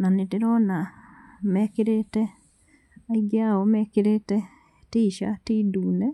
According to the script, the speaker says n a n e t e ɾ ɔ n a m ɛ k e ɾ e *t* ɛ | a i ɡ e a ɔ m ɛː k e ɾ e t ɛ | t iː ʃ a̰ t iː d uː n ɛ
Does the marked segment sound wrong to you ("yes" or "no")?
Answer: no